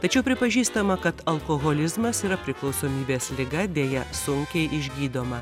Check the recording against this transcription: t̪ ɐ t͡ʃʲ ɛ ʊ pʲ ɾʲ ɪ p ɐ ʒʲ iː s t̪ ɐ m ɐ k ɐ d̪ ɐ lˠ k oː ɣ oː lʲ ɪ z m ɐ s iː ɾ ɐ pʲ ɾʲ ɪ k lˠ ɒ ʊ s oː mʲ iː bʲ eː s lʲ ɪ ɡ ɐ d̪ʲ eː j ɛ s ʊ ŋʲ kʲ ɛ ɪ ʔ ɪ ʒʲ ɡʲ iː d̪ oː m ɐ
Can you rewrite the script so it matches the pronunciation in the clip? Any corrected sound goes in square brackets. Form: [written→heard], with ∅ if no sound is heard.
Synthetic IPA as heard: t̪ ɐ t͡ʃʲ ɛ ʊ pʲ ɾʲ ɪ p ɐ ʒʲ iː s t̪ ɐ m ɐ k ɐ [d̪→t̪] ɐ lˠ k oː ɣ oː lʲ ɪ z m ɐ s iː ɾ ɐ pʲ ɾʲ ɪ k lˠ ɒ ʊ s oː mʲ iː bʲ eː s lʲ ɪ ɡ ɐ d̪ʲ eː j ɛ s ʊ ŋʲ kʲ ɛ ɪ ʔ ɪ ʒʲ ɡʲ iː d̪ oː m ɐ

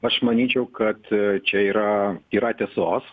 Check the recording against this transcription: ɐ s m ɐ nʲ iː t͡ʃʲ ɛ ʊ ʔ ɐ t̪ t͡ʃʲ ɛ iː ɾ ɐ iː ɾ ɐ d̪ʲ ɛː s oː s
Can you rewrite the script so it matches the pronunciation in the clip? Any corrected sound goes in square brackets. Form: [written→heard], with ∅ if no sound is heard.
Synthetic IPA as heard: ɐ [s→ʃ] m ɐ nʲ iː t͡ʃʲ ɛ ʊ [ʔ→k] ɐ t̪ t͡ʃʲ ɛ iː ɾ ɐ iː ɾ ɐ [d̪ʲ→t̪ʲ] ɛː s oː s

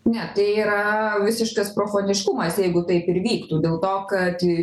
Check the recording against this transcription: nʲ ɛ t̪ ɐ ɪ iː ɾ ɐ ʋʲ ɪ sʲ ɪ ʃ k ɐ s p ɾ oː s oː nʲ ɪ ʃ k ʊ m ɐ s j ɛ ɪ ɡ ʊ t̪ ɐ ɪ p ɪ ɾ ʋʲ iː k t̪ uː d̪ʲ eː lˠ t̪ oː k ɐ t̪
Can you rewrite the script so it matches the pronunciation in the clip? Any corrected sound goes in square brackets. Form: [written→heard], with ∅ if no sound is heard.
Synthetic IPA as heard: nʲ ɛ t̪ ɐ ɪ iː ɾ ɐ ʋʲ ɪ sʲ ɪ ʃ k ɐ s p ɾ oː [s→f] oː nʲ ɪ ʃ k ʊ m ɐ s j ɛ ɪ ɡ ʊ t̪ ɐ ɪ p ɪ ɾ ʋʲ iː k t̪ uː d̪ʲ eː lˠ t̪ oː k ɐ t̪

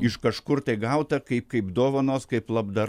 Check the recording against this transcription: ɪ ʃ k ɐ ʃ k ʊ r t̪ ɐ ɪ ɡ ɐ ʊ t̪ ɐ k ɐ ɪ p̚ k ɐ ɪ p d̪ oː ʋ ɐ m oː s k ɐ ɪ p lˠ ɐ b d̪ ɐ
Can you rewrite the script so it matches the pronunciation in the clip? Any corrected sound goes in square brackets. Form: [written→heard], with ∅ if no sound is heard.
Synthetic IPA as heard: ɪ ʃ k ɐ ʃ k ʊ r t̪ ɐ ɪ ɡ ɐ ʊ t̪ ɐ k ɐ ɪ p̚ k ɐ ɪ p d̪ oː ʋ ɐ [m→n] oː s k ɐ ɪ p lˠ ɐ b d̪ ɐ

